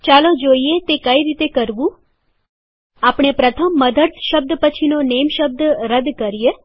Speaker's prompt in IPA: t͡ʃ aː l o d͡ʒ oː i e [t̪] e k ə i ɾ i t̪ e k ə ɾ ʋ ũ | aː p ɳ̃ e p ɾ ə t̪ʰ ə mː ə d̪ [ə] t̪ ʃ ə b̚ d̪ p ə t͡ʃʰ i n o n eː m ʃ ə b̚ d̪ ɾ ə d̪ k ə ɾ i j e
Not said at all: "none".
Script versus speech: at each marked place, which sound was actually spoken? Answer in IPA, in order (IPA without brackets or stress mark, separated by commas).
t̪, ə